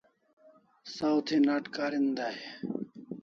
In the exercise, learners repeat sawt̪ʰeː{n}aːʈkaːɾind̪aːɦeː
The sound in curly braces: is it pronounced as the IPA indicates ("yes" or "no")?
yes